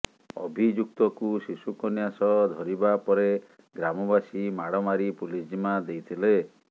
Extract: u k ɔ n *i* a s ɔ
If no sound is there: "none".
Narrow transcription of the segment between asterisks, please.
j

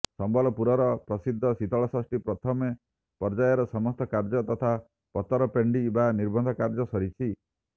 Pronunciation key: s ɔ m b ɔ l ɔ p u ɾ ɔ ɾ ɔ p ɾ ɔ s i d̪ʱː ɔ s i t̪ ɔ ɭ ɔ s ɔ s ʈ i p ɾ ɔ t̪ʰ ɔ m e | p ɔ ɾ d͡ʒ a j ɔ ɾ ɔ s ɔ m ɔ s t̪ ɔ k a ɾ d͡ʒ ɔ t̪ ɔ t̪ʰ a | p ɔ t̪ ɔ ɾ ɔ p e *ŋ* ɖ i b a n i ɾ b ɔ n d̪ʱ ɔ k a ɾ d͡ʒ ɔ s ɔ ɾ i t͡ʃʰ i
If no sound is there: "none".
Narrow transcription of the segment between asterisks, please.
ɳ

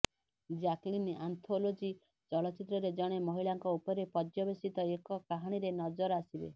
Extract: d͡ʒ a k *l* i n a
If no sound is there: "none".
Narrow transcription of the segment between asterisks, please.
l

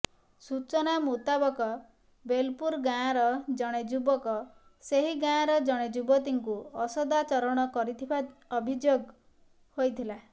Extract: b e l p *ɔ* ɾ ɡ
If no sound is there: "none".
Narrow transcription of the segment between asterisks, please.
u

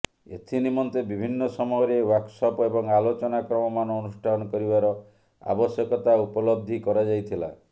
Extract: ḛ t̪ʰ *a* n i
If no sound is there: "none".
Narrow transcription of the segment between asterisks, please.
i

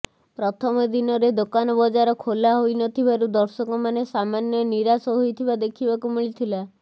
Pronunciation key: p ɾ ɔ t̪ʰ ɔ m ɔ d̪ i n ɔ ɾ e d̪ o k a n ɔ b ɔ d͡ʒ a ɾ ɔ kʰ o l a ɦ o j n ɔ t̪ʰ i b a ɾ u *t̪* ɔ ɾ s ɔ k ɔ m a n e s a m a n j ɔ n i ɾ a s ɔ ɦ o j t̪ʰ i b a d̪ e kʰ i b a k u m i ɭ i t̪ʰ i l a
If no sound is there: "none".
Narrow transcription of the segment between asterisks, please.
d̪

